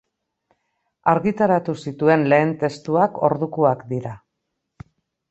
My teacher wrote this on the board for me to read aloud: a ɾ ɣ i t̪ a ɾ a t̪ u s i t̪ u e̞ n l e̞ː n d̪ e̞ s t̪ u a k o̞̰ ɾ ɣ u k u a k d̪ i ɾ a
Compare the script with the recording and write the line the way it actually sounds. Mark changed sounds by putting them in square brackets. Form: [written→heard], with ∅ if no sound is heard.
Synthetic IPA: a ɾ ɣ i t̪ a ɾ a t̪ u s i t̪ u e̞ n l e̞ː n [d̪→t̪] e̞ s t̪ u a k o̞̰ ɾ [ɣ→ð] u k u a k d̪ i ɾ a